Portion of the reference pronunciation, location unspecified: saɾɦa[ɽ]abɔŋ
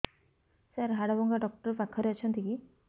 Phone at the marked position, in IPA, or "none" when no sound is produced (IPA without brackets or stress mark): ɽ